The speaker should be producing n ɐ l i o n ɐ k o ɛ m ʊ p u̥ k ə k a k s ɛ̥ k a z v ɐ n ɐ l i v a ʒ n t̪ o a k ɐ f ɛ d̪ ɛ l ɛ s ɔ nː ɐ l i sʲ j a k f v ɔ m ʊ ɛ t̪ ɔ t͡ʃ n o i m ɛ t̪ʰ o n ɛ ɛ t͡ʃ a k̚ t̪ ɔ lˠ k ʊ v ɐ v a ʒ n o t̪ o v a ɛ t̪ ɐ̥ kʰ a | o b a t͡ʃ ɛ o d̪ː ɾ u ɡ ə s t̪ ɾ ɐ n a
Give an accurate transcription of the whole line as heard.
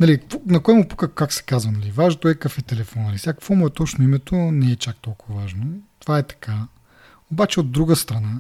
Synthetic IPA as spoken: n ɐ l i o n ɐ k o ɛ m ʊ p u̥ k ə k a k s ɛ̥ k a z v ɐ n ɐ l i v a ʒ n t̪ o ɛ k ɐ f ɛ t̪ ɛ l ɛ f ɔ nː ɐ l i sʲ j a k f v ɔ m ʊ ɛ t̪ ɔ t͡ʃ n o i m ɛ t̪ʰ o n ɛ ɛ t͡ʃ a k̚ t̪ ɔ lˠ k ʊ v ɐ v a ʒ n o t̪ o v a ɛ t̪ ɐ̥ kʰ a | o b a t͡ʃ ɛ o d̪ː ɾ u ɡ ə s t̪ ɾ ɐ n a